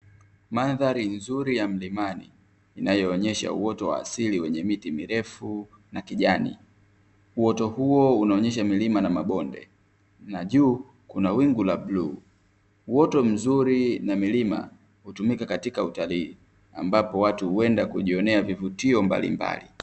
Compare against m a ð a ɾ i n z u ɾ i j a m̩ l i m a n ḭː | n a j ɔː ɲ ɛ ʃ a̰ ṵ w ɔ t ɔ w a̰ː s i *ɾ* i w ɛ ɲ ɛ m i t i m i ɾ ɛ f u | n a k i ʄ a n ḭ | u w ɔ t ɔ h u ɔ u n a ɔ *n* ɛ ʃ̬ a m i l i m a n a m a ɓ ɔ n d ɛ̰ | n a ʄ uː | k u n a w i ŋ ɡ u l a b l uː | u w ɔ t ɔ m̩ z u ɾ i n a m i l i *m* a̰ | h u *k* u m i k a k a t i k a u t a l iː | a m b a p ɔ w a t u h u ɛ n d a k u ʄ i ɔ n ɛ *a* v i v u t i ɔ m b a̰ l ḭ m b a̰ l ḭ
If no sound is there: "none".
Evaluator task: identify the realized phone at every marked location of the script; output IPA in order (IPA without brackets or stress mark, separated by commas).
l, ɲ, m, t, a